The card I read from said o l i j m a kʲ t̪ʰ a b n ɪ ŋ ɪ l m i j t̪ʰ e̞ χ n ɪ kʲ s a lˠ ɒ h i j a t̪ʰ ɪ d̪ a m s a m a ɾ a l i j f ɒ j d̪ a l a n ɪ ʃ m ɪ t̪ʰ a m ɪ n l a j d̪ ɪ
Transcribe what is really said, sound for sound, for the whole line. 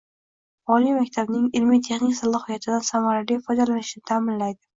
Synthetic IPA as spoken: ɒ l i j m a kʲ t̪ʰ a b n ɪ ŋ ɪ l m i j t̪ʰ e̞ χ n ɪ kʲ s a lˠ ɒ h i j a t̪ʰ ɪ d̪ a n s a m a ɾ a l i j f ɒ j d̪ a l a n ɪ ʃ n ɪ t̪ʰ a m ɪ n l a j d̪ ɪ

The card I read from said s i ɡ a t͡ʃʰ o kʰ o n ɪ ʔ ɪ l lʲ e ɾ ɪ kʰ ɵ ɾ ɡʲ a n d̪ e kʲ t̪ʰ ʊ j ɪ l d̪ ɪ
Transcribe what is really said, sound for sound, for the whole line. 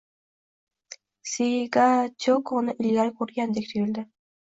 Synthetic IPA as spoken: s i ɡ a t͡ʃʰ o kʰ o n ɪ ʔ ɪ l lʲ a ɾ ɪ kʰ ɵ ɾ ɡʲ a n d̪ e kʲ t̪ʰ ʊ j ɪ l d̪ ɪ

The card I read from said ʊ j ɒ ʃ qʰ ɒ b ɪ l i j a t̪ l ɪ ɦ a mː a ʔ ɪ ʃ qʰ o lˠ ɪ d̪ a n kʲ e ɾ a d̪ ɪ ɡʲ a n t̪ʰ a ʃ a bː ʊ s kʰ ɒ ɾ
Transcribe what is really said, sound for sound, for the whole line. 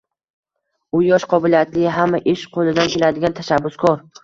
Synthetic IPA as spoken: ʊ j ɒ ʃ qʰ ɒ b ɪ l i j a t̪ l ɪ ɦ a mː a ʔ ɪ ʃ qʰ o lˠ ɪ d̪ a n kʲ e l a d̪ ɪ ɡʲ a n t̪ʰ a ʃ a bː ʊ s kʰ ɒ ɾ

